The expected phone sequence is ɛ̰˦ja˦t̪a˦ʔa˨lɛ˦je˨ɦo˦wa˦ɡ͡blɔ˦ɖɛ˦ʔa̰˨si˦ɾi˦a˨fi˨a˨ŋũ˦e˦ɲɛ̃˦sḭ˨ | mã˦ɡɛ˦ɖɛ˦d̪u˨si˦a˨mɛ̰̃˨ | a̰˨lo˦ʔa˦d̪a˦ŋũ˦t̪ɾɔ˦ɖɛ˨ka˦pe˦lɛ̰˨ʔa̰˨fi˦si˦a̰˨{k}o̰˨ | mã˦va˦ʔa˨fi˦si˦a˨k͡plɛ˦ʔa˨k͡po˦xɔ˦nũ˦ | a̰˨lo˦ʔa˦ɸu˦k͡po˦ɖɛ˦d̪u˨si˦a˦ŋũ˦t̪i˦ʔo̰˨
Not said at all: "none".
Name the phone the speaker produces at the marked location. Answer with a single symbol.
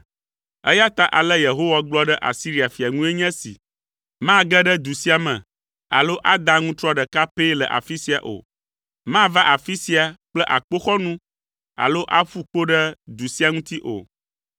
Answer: ʔ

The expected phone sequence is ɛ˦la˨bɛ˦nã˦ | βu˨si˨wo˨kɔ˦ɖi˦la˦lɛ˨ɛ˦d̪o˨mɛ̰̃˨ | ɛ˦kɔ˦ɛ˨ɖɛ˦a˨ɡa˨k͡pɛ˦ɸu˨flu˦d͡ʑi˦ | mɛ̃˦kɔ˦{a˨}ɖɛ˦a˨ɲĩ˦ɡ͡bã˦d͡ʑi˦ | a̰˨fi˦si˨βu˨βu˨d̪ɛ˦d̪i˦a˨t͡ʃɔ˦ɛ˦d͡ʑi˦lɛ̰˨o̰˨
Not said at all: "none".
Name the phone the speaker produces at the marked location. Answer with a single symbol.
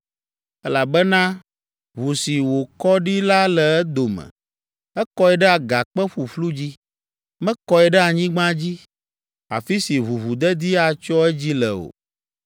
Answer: ɛ˨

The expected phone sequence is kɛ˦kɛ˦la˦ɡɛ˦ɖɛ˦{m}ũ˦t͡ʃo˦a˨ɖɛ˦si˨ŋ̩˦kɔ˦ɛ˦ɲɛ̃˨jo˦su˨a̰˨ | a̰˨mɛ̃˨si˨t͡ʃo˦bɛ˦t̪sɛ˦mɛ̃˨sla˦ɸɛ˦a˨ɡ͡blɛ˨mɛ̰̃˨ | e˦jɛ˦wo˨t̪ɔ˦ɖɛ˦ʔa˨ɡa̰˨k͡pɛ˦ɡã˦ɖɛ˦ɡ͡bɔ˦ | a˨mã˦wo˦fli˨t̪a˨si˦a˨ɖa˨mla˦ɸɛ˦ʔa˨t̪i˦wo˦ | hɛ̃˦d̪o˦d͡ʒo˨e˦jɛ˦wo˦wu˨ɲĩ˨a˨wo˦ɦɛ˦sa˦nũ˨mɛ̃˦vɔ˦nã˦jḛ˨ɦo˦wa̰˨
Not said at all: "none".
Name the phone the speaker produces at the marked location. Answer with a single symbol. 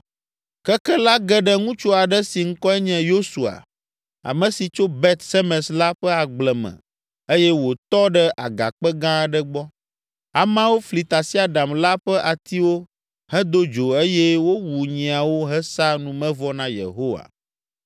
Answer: ŋ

